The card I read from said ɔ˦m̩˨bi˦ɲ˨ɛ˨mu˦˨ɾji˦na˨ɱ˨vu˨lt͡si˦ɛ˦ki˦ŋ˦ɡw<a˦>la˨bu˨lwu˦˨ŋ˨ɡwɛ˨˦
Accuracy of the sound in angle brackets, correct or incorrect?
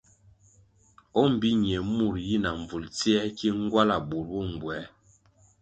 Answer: correct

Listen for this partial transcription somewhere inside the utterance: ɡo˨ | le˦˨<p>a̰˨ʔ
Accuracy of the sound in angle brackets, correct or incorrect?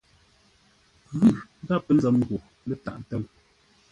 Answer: incorrect: t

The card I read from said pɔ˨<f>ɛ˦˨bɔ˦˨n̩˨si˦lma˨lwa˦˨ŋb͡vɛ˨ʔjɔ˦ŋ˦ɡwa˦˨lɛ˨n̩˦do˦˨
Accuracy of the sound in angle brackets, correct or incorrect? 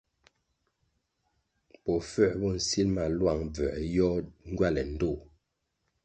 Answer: correct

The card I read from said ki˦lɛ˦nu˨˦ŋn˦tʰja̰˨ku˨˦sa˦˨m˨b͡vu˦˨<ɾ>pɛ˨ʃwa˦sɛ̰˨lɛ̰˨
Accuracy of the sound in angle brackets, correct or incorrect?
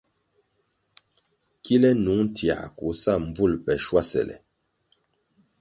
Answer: incorrect: l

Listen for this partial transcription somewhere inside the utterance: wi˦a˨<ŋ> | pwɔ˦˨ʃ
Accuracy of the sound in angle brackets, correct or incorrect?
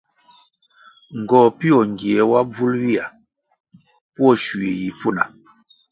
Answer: incorrect: none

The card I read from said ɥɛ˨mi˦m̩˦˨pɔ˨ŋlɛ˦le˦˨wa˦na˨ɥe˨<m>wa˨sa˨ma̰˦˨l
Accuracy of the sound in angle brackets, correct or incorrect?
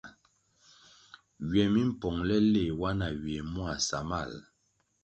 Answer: correct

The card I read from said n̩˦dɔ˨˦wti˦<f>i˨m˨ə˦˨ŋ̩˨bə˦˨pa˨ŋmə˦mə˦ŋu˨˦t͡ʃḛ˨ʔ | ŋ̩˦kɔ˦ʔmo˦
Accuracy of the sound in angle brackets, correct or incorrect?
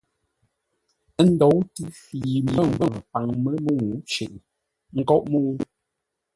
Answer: correct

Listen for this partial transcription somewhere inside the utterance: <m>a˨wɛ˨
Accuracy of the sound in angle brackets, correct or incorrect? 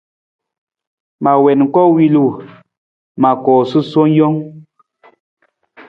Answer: correct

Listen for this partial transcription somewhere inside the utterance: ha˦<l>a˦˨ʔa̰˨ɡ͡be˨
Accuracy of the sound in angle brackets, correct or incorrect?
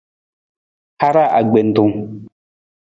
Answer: incorrect: ɾ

